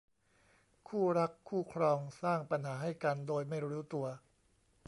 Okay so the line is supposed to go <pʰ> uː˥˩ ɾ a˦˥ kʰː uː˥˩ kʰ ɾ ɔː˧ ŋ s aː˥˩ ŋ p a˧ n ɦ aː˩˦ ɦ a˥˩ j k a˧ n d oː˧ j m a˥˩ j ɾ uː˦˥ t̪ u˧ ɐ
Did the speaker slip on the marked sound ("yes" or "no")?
yes